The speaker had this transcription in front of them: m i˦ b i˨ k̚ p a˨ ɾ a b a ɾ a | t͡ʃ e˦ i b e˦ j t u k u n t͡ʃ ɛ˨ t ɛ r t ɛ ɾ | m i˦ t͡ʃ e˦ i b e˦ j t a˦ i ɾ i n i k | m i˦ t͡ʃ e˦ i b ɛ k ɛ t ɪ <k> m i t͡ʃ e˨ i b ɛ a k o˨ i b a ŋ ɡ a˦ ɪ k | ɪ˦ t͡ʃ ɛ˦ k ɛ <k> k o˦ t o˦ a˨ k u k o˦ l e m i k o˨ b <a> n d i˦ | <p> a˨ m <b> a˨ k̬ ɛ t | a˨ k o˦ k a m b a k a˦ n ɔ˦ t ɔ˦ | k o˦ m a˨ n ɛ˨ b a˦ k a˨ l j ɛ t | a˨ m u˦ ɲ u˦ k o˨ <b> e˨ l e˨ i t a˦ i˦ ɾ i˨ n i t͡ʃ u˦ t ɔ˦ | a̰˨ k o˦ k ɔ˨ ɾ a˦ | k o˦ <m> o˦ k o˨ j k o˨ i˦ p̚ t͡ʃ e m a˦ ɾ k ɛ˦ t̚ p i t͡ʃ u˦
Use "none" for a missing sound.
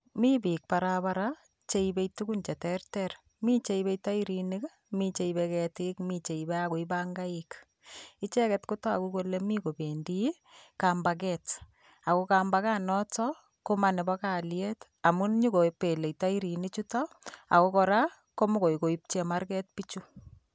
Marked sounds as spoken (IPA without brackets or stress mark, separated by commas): k, t, e, k, b, p, m